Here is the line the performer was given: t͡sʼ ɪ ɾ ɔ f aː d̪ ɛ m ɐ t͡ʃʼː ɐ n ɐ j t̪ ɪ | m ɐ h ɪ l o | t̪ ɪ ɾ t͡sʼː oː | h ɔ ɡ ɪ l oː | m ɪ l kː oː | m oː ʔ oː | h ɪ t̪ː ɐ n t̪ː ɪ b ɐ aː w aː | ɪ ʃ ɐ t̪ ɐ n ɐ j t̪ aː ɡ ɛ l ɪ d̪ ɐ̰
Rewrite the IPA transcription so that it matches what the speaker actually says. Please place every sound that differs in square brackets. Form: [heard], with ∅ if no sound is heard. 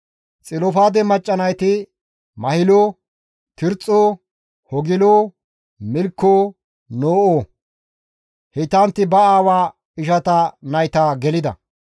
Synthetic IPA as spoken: t͡sʼ ɪ [l] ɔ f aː d̪ ɛ m ɐ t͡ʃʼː ɐ n ɐ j t̪ ɪ | m ɐ h ɪ l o | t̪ ɪ ɾ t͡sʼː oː | h ɔ ɡ ɪ l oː | m ɪ l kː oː | [n] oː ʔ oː | h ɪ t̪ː ɐ n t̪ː ɪ b ɐ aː w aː | ɪ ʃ ɐ t̪ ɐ n ɐ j t̪ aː ɡ ɛ l ɪ d̪ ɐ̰